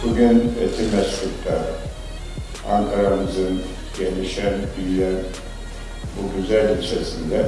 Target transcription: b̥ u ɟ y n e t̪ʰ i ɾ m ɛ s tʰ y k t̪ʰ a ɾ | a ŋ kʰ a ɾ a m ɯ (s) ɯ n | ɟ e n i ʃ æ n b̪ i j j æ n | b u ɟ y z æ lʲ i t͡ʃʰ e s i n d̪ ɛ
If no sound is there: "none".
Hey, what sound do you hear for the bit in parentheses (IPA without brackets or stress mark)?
z